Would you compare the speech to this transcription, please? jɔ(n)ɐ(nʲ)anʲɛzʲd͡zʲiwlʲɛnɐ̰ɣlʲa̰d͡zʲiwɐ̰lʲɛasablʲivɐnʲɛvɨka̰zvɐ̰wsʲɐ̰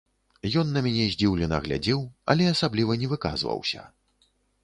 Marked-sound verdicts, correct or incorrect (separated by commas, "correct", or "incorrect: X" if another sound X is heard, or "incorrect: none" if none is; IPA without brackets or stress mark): incorrect: nː, incorrect: mʲ